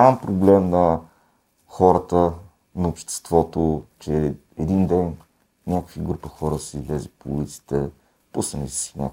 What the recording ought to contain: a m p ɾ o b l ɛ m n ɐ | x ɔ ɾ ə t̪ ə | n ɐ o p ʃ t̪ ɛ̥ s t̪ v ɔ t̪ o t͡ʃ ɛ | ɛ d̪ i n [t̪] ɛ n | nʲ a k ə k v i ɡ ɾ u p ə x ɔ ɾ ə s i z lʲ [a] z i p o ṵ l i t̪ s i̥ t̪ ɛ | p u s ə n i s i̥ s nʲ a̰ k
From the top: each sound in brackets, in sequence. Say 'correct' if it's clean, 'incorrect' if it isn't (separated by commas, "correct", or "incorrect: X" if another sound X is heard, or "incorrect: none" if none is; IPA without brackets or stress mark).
incorrect: d̪, incorrect: ɛ